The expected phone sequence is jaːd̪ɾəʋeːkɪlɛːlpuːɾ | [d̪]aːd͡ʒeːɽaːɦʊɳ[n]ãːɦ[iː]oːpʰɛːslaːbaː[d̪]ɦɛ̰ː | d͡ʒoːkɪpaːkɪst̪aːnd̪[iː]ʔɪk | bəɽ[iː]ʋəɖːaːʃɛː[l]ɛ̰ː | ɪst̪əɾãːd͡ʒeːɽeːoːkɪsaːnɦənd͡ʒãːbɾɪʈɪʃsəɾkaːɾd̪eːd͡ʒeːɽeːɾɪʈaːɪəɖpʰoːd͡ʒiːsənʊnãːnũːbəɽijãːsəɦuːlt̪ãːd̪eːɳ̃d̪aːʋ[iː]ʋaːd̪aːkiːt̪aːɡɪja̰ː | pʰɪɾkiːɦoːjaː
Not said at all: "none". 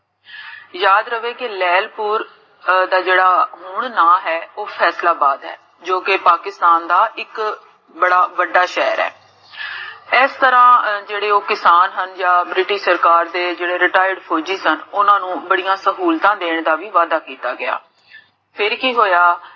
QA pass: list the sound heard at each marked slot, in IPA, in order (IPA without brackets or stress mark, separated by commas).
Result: d̪, n, ɛː, d̪, aː, aː, ɾ, iː